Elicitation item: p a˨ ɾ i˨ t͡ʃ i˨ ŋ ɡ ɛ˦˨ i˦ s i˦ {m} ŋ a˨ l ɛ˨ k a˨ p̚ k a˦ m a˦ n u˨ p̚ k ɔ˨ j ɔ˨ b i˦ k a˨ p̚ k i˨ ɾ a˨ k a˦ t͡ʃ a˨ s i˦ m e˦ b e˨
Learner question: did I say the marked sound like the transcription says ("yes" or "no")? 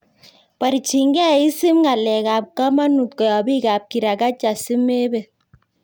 yes